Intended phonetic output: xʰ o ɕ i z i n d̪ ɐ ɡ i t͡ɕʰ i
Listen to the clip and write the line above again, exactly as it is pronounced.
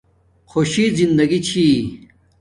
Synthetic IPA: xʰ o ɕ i z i n d̪ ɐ ɡ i t͡ɕʰ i